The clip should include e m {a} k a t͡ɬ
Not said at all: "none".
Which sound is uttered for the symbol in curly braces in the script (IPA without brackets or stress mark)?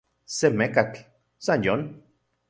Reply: e